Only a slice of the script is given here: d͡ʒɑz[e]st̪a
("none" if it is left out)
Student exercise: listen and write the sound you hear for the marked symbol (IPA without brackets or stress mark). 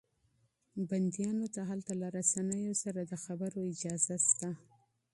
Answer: a